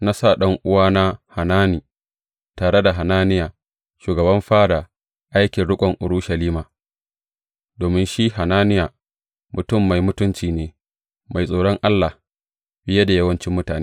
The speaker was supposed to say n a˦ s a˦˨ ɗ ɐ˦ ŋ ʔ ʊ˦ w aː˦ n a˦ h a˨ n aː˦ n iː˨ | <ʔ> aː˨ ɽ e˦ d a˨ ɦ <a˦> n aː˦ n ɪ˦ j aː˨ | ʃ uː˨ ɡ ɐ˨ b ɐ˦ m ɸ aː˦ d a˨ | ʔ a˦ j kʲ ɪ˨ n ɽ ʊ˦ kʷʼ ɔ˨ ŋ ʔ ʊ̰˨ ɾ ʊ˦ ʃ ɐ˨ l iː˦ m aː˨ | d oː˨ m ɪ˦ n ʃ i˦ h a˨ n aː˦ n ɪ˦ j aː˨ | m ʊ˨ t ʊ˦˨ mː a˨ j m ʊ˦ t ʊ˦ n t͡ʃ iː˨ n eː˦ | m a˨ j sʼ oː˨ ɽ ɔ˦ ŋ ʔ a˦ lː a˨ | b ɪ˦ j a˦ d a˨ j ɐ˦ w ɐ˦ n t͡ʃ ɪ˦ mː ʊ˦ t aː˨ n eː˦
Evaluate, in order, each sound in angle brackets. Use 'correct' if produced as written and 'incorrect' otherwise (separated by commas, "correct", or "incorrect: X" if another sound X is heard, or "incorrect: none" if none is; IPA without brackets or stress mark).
incorrect: t, incorrect: a˨